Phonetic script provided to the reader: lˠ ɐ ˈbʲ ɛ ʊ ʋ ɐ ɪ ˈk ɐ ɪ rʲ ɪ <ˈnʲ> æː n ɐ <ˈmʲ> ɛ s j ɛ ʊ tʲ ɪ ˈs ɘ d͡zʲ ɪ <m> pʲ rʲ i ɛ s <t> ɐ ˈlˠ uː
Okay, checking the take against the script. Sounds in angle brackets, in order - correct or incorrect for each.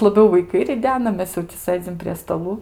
incorrect, correct, correct, correct

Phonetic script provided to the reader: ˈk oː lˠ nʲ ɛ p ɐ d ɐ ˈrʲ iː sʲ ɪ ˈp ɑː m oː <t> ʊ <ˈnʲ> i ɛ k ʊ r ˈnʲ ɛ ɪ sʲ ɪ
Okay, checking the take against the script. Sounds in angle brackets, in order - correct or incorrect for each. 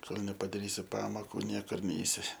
incorrect, correct

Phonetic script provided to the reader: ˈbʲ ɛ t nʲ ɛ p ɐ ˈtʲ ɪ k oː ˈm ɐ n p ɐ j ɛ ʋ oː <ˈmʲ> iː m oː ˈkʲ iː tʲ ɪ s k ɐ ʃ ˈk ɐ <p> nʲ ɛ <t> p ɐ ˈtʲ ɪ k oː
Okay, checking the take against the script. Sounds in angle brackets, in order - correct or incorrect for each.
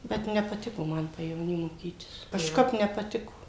incorrect, correct, incorrect

